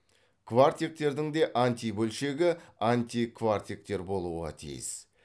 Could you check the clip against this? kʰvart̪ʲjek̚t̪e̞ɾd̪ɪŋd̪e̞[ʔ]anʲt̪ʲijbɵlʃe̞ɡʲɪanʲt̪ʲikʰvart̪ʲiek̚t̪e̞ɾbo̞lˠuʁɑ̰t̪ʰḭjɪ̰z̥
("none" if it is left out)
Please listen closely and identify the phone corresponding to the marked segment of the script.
ʔ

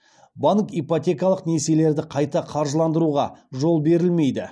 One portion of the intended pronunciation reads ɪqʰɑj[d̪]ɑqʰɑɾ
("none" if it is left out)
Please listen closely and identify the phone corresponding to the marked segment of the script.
t̪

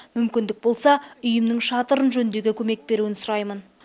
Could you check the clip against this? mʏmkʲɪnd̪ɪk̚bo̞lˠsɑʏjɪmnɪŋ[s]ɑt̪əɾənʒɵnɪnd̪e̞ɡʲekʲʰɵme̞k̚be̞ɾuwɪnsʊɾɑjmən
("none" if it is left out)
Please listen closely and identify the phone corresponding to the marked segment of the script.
ʃ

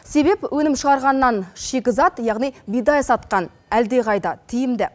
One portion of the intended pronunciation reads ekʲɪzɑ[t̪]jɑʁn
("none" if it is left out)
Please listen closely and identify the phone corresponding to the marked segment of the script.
t̪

